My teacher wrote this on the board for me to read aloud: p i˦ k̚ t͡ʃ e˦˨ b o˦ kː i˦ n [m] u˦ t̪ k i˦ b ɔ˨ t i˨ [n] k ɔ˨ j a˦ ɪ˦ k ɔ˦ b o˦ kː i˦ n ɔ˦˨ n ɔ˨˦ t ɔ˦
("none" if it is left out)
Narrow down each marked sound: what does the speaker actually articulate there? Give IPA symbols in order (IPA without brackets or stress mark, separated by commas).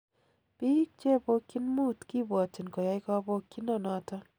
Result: m, n